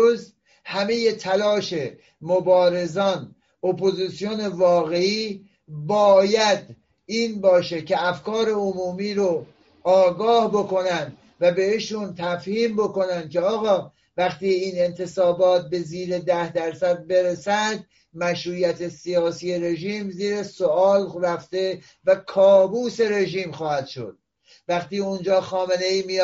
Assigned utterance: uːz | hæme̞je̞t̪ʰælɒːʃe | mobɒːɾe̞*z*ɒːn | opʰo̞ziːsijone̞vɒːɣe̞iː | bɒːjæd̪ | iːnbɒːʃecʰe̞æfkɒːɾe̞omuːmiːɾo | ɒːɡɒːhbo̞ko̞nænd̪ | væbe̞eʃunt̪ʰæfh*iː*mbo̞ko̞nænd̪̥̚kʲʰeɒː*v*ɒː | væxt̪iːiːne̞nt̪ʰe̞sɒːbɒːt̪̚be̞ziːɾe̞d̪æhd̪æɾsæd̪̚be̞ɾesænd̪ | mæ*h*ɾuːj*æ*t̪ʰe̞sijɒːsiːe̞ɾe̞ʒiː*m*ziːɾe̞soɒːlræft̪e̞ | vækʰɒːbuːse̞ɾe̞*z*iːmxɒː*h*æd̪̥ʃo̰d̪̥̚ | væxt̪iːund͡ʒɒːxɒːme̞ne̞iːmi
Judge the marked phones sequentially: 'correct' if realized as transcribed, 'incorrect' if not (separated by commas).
correct, correct, incorrect, incorrect, correct, correct, incorrect, correct